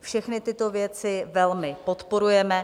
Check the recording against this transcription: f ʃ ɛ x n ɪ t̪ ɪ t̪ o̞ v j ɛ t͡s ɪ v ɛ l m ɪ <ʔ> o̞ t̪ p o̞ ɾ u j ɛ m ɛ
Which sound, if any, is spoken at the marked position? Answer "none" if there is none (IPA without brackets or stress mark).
p